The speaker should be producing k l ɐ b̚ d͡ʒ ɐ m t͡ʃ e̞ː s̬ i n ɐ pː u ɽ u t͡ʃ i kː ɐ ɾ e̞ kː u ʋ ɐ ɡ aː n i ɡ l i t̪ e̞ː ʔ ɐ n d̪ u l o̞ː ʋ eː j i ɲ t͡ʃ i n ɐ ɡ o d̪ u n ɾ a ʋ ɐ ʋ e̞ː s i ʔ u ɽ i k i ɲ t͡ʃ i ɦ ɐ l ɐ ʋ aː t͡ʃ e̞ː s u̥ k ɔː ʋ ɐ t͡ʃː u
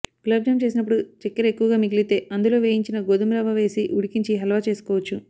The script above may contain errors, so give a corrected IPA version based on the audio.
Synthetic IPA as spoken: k l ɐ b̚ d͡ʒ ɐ m t͡ʃ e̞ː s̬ i n ɐ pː u ɽ u t͡ʃ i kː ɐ ɾ e̞ kː u ʋ ɐ ɡ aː m i ɡ l i t̪ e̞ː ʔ ɐ n d̪ u l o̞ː ʋ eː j i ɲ t͡ʃ i n ɐ ɡ o d̪ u m ɾ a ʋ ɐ ʋ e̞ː s i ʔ u ɽ i k i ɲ t͡ʃ i ɦ ɐ l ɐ ʋ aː t͡ʃ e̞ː s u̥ k ɔː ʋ ɐ t͡ʃː u

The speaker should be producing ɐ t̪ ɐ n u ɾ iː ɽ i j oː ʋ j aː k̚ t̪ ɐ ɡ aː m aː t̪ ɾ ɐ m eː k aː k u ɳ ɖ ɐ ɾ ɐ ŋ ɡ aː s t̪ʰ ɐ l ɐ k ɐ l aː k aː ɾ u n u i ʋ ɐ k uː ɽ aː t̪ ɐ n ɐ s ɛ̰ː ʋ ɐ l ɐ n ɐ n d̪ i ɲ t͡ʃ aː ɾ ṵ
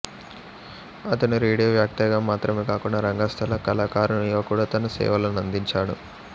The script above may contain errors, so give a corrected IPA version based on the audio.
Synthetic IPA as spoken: ɐ t̪ ɐ n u ɾ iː ɽ i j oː ʋ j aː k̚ t̪ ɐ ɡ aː m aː t̪ ɾ ɐ m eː k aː k u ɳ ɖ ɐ ɾ ɐ ŋ ɡ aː s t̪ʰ ɐ l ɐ k ɐ l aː k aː ɾ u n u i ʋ ɐ k uː ɽ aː t̪ ɐ n ɐ s ɛ̰ː ʋ ɐ l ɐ n ɐ n d̪ i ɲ t͡ʃ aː ɽ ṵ

